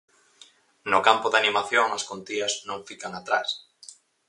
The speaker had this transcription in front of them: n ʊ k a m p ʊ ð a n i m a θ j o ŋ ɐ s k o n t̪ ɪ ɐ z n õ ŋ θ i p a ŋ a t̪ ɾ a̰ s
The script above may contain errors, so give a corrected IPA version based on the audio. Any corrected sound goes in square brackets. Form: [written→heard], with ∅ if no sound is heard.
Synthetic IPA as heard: n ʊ k a m p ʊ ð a n i m a θ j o ŋ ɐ s k o n t̪ [ɪ→i] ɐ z n õ ŋ [θ→f] i [p→k] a ŋ a t̪ ɾ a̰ s